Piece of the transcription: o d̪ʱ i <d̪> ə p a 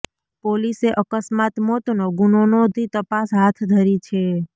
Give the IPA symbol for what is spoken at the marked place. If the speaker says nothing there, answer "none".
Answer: t̪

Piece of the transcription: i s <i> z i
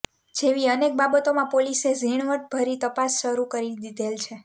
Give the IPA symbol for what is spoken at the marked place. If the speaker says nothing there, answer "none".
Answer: e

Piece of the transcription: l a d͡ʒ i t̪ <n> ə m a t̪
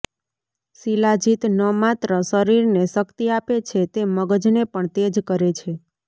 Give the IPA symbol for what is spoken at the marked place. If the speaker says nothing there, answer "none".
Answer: n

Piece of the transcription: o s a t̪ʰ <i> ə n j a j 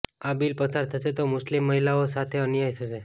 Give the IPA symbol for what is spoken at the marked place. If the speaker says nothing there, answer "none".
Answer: e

